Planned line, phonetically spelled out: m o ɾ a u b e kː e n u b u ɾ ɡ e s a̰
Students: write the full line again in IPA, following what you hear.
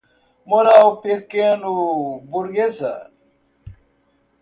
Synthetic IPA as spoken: m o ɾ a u p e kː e n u b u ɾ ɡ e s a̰